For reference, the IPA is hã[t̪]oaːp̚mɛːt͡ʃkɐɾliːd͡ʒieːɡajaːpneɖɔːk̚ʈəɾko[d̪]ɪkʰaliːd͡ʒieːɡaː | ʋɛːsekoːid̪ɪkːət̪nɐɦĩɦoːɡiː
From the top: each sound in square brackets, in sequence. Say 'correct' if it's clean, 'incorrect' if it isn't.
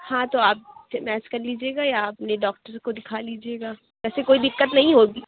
correct, correct

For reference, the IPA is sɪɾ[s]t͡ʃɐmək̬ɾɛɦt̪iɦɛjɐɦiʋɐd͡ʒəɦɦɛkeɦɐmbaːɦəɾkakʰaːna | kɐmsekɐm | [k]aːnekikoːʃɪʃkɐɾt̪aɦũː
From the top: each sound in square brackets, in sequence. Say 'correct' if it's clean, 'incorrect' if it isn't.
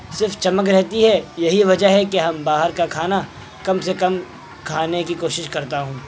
incorrect: f, incorrect: kʰ

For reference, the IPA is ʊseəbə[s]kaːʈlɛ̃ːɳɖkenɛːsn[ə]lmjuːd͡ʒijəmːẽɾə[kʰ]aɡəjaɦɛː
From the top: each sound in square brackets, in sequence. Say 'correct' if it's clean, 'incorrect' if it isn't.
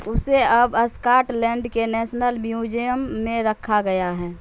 correct, correct, correct

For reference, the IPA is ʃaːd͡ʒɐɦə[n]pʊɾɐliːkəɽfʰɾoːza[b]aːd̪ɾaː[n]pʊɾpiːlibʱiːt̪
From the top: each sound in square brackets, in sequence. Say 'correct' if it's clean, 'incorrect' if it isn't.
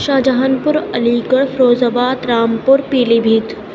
correct, correct, incorrect: m

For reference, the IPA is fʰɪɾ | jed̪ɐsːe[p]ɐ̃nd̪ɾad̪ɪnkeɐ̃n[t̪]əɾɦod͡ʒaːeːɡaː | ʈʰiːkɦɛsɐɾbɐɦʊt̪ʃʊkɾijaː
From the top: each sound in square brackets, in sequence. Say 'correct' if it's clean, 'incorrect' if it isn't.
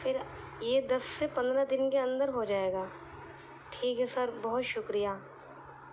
correct, incorrect: d̪

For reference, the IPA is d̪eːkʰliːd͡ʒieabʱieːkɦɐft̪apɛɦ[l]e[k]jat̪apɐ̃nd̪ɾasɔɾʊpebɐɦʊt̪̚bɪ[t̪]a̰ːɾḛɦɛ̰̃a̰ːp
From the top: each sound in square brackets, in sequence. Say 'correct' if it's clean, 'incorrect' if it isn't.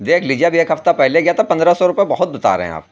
correct, incorrect: ɡ, correct

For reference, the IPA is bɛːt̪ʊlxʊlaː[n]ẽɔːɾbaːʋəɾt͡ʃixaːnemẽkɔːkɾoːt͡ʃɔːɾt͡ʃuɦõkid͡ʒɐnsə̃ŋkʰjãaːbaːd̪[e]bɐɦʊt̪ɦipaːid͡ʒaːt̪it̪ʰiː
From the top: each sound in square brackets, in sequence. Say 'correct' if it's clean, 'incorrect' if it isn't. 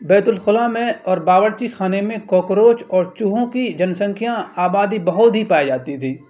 incorrect: m, incorrect: i

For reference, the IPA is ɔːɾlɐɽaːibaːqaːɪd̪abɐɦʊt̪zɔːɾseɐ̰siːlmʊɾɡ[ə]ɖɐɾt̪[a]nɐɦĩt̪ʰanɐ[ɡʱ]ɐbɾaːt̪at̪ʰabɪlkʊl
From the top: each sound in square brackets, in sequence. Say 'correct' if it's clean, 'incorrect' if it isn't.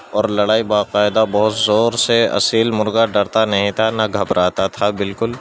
incorrect: a, correct, correct

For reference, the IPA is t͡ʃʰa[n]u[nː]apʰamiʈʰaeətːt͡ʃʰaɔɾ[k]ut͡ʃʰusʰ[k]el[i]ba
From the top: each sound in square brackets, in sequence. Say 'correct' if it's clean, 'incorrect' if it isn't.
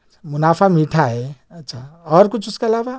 incorrect: m, incorrect: n, correct, correct, incorrect: a

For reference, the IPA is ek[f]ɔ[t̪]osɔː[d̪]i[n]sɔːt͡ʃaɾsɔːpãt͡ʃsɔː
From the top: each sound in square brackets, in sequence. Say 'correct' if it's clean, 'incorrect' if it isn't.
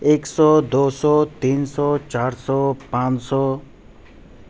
incorrect: s, incorrect: d̪, incorrect: t̪, correct

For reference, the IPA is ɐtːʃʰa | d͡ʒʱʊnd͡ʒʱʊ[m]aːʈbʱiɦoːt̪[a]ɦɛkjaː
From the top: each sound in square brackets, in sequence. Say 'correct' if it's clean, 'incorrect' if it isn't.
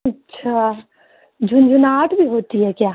incorrect: n, incorrect: i

